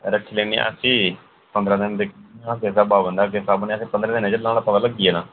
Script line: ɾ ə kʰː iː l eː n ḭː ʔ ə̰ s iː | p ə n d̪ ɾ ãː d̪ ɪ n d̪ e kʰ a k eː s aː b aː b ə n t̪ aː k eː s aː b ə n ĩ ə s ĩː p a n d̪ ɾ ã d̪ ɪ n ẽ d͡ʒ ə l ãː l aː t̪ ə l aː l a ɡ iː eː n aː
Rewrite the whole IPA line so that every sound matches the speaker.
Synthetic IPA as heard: ɾ ə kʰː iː l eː n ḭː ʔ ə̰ s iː | p ə n d̪ ɾ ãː d̪ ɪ n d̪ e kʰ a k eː s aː b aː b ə n d̪ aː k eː s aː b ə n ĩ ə s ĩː p ə n d̪ ɾ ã d̪ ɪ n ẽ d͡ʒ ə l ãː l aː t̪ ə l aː l ə ɡ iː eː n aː